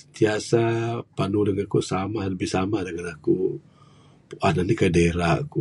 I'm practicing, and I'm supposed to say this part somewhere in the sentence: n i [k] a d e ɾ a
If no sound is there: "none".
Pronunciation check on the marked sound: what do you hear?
k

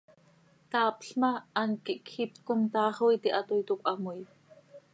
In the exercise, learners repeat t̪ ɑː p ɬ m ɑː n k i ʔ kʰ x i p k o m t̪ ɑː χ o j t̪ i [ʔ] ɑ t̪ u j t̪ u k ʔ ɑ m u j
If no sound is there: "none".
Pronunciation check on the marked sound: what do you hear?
ʔ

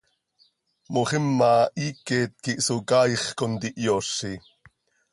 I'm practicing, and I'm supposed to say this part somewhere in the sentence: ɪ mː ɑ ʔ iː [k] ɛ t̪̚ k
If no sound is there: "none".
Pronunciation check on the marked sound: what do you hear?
k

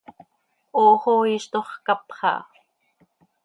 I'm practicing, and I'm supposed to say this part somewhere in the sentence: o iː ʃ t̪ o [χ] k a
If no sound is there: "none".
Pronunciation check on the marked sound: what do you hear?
χ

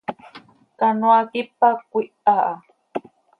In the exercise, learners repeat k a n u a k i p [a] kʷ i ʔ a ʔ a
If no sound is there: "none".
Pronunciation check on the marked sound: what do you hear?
a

